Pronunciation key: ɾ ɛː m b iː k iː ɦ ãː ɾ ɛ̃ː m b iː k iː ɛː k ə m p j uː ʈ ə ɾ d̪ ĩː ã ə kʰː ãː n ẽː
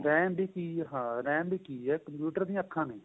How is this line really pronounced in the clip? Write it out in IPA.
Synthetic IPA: ɾ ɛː m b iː k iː ɦ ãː ɾ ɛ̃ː m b iː k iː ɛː k ə m p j uː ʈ ə ɾ d̪ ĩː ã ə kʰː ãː n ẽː